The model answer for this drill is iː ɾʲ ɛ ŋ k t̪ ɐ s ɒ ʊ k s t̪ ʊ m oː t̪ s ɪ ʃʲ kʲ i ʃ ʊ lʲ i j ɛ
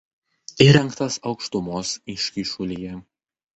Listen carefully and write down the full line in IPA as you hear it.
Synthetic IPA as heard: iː ɾʲ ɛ ŋ k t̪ ɐ s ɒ ʊ k ʃ t̪ ʊ m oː s ɪ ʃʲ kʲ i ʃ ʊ lʲ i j ɛ

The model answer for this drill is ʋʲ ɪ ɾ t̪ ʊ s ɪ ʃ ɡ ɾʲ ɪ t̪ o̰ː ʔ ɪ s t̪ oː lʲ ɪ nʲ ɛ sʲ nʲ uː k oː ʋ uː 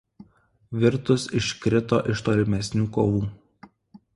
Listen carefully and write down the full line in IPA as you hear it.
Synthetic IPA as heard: ʋʲ ɪ ɾ t̪ ʊ s ɪ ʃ k ɾʲ ɪ t̪ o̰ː ʔ ɪ ʃ t̪ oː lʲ ɪ mʲ ɛ sʲ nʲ uː k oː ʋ uː

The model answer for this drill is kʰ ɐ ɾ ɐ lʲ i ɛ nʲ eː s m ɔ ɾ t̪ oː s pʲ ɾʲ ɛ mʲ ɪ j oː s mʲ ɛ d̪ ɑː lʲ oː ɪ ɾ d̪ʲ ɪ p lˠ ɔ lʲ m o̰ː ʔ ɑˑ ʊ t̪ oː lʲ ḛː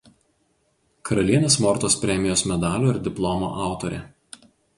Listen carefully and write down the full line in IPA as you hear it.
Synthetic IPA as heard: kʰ ɐ ɾ ɐ lʲ i ɛ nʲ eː s m ɔ ɾ t̪ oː s pʲ ɾʲ ɛ mʲ ɪ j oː s mʲ ɛ d̪ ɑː lʲ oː ɪ ɾ d̪ʲ ɪ p lˠ ɔ m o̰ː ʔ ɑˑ ʊ t̪ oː ɾʲ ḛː

